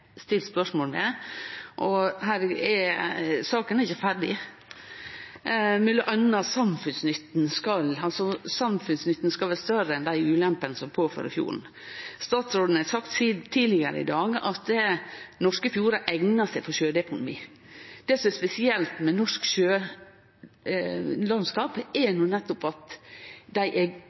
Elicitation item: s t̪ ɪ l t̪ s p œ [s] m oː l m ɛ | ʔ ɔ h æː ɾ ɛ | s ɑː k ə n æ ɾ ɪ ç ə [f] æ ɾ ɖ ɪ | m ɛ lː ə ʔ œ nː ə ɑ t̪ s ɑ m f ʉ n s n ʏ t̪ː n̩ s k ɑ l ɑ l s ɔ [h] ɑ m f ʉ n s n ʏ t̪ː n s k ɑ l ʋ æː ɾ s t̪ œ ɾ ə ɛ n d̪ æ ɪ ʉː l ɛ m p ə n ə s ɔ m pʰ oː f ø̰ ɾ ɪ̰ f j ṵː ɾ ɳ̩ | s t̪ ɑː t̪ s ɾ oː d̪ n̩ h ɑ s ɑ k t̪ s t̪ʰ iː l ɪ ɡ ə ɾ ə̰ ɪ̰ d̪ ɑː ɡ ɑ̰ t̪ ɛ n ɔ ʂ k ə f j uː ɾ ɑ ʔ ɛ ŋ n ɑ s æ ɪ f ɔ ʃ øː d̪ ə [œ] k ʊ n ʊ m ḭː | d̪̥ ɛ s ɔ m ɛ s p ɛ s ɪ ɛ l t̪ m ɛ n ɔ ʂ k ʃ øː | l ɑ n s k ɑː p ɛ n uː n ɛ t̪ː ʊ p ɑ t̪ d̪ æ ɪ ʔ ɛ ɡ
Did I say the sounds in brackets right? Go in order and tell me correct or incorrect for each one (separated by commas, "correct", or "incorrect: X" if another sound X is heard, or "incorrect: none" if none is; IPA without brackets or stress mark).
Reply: incorrect: ʂ, correct, incorrect: s, incorrect: ɛ